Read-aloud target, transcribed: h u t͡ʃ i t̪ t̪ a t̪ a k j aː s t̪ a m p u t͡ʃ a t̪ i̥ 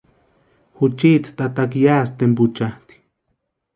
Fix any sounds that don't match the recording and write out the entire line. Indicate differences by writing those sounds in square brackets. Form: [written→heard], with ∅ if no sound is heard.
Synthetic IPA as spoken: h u t͡ʃ i t̪ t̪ a t̪ a k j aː s t̪ [a→e] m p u t͡ʃ a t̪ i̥